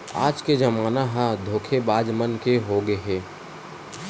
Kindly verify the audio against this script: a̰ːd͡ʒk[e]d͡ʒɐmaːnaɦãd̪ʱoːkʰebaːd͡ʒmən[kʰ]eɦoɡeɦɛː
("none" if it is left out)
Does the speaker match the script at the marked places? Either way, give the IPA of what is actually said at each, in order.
e, k

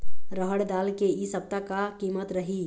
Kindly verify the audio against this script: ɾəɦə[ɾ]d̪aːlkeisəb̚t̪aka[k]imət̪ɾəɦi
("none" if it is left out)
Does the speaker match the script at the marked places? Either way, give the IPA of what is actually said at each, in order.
ɽ, k

